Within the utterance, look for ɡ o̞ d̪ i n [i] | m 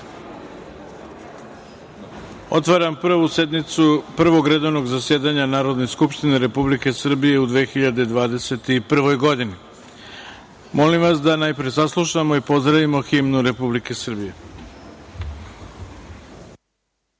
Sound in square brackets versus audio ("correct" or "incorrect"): correct